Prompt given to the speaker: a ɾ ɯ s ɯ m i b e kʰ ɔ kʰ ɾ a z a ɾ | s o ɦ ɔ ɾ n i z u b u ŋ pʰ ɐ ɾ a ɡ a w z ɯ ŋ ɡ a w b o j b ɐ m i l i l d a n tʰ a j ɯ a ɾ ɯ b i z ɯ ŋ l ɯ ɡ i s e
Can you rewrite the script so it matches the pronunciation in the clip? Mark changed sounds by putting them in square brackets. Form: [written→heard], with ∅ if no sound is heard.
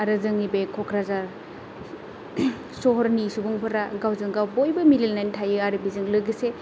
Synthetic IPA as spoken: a ɾ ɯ [s→z] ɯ [m→ŋ] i b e kʰ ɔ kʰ ɾ a z a ɾ | s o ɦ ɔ ɾ n i [z→s] u b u ŋ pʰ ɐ ɾ a ɡ a w z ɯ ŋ ɡ a w b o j b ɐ m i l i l [d→n] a n tʰ a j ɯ a ɾ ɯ b i z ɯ ŋ l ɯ ɡ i s e